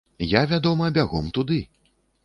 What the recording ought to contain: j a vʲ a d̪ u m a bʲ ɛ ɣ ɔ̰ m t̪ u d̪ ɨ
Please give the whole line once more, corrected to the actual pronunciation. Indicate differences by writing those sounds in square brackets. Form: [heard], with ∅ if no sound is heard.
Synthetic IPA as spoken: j a vʲ a d̪ [ɔ] m [ɐ] bʲ [a] ɣ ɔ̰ m t̪ u d̪ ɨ